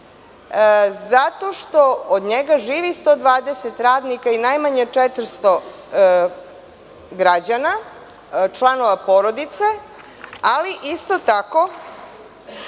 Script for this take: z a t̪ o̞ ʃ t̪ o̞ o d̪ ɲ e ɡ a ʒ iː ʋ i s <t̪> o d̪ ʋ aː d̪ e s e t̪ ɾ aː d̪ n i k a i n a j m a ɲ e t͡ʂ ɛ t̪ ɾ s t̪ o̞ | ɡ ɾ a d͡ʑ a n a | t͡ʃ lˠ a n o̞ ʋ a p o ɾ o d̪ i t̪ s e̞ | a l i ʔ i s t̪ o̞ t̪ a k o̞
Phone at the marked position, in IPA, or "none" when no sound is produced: t̪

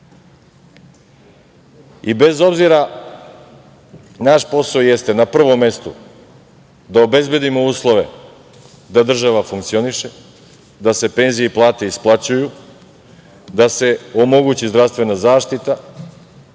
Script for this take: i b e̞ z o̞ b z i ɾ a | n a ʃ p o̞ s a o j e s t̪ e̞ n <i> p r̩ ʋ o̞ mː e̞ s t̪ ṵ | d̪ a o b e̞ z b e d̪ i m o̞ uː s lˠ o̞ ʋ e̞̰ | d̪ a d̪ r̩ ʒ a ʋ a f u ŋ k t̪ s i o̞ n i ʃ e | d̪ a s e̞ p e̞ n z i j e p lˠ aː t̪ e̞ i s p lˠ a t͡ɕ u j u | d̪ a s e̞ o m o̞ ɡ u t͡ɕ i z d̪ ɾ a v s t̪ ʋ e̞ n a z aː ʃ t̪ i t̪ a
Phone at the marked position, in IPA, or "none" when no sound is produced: a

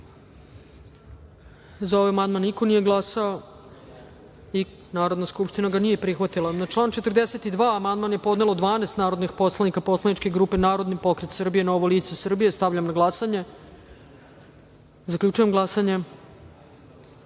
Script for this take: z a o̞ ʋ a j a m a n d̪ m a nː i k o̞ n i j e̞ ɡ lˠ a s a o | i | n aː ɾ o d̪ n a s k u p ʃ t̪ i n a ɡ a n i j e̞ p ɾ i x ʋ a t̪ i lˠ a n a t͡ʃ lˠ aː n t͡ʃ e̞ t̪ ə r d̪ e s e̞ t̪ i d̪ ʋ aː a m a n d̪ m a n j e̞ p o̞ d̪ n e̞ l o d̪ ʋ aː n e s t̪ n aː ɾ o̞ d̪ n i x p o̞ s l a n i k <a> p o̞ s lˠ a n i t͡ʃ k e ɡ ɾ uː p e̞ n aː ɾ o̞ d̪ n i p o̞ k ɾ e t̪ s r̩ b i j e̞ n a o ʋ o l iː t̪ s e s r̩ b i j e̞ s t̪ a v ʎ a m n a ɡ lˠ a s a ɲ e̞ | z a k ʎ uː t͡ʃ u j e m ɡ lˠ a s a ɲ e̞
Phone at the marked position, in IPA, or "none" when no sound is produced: a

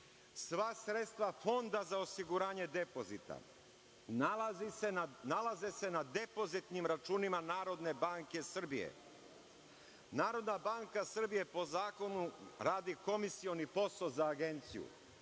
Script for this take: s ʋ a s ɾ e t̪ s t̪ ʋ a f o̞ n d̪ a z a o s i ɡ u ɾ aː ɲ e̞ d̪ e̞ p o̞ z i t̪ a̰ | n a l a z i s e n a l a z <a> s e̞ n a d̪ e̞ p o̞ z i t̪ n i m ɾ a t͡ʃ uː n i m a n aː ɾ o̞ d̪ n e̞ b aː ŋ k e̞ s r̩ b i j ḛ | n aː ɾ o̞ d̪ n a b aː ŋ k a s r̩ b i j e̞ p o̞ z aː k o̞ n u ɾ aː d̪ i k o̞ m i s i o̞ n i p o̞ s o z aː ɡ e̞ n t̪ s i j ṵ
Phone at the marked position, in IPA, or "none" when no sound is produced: e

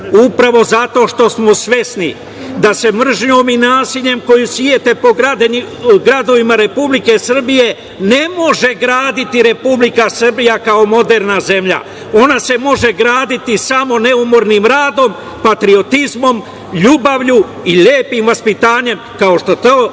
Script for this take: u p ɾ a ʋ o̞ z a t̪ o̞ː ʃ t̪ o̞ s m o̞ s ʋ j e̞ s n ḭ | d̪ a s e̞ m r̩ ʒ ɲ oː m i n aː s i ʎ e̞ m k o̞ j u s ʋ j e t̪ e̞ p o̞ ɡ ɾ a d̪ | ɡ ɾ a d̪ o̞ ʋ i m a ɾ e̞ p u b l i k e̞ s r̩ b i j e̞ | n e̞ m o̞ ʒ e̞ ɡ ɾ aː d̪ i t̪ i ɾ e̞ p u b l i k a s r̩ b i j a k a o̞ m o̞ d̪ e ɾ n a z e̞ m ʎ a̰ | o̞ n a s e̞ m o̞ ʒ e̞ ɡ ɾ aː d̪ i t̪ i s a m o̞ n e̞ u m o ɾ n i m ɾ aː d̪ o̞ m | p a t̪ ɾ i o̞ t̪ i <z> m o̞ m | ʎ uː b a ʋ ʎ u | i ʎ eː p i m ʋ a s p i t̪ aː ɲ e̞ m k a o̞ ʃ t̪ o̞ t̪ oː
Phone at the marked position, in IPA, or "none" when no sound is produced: z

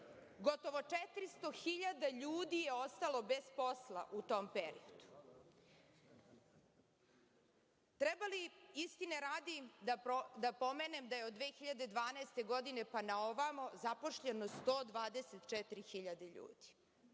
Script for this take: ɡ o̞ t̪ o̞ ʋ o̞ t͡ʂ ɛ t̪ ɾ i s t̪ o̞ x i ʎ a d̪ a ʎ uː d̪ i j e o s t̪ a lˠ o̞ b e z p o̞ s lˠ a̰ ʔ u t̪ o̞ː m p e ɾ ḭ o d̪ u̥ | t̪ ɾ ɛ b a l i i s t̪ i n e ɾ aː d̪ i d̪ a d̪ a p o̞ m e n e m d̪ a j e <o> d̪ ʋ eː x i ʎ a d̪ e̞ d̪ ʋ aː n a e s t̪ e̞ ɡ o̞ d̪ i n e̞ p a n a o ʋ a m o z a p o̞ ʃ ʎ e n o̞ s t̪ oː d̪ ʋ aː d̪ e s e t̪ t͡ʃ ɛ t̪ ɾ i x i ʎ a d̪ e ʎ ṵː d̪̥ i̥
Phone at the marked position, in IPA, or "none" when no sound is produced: o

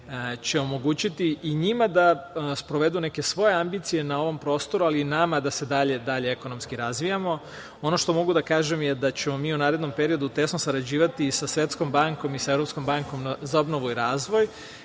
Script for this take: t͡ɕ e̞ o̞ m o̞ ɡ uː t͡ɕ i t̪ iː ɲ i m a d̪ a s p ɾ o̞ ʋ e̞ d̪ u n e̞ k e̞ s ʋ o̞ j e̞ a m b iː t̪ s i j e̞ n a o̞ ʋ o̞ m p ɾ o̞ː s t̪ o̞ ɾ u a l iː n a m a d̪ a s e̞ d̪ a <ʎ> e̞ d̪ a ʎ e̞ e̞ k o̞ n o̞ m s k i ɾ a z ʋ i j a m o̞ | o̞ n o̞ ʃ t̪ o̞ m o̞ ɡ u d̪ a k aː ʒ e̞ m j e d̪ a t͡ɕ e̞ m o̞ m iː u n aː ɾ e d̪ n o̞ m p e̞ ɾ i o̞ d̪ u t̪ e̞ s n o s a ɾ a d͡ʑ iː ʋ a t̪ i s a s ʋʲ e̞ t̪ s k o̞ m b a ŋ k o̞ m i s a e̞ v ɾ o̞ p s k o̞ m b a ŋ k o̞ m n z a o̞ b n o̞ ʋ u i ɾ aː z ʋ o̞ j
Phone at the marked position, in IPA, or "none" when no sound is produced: ʎ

